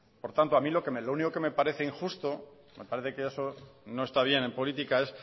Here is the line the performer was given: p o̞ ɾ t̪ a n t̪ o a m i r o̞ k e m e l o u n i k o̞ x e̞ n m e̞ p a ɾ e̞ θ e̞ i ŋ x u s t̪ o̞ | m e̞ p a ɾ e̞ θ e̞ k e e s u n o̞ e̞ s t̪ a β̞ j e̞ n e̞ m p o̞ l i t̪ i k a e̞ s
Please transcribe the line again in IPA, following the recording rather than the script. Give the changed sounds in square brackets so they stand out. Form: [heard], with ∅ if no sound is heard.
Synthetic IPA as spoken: p o̞ ɾ t̪ a n t̪ o a m i [l] o̞ k e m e l o u n i k o̞ [k] e̞ [∅] m e̞ p a ɾ e̞ θ e̞ i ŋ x u s t̪ o̞ | m e̞ p a ɾ e̞ θ e̞ k e e s [o] n o̞ e̞ s t̪ a β̞ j e̞ n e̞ m p o̞ l i t̪ i k a e̞ s